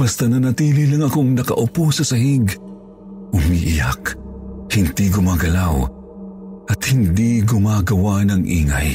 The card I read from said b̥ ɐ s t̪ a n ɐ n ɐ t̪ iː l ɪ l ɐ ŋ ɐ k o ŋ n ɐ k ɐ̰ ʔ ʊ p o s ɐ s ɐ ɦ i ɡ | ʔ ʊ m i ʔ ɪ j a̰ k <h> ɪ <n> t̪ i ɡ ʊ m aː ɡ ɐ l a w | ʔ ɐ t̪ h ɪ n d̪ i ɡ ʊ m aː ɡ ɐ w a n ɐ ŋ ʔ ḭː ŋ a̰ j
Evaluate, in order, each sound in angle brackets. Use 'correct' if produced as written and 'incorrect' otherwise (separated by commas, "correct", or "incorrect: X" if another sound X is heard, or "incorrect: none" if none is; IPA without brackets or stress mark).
correct, correct